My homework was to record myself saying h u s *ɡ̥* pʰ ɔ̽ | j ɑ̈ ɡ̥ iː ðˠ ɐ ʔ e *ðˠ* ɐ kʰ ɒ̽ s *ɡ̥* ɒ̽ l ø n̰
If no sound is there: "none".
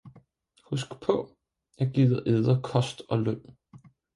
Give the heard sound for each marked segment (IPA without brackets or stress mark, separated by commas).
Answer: ɡ̥, ðˠ, d̥